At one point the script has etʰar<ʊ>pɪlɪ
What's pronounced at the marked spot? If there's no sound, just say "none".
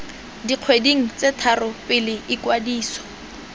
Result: ʊ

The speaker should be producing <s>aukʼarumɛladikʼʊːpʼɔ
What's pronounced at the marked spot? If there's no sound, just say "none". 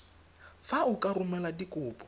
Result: f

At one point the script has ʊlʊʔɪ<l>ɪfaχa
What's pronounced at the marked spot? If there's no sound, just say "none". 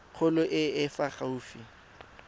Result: none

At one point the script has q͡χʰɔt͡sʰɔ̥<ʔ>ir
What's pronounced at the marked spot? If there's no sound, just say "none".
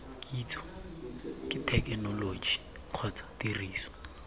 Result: t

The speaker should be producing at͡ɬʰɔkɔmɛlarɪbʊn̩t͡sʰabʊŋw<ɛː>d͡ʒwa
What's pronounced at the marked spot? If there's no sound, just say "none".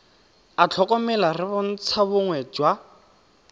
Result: ɛ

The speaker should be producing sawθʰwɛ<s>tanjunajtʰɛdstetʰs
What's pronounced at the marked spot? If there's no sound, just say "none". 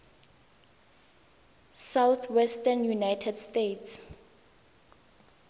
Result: s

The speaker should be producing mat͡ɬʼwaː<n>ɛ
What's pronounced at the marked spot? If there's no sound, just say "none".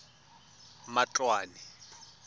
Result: n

